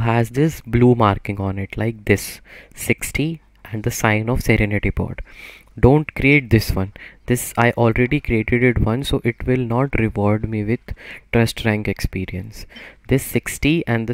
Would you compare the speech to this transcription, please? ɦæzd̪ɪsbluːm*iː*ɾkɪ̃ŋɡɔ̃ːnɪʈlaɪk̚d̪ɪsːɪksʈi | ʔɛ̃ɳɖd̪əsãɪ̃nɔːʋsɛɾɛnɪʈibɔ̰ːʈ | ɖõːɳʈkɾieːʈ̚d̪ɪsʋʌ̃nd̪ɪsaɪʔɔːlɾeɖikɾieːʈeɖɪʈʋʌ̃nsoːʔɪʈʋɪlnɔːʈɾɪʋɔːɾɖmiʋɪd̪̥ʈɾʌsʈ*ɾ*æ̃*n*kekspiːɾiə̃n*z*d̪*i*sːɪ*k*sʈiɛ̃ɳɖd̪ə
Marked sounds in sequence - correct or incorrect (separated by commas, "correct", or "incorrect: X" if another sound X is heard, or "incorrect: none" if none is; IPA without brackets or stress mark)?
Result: incorrect: aː, correct, incorrect: ŋ, incorrect: s, incorrect: ɪ, correct